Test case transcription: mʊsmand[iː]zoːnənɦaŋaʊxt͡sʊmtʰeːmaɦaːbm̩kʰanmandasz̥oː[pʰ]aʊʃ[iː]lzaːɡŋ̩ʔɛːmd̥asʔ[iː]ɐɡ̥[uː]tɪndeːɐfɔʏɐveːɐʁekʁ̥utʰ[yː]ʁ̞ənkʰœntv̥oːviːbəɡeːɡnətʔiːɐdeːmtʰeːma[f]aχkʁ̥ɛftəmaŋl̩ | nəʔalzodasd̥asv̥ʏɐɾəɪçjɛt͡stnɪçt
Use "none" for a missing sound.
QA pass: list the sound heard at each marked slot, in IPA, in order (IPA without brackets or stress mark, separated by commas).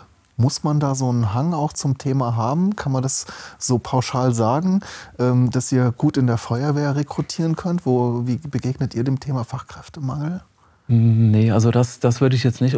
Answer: aː, pʰ, aː, iː, uː, iː, f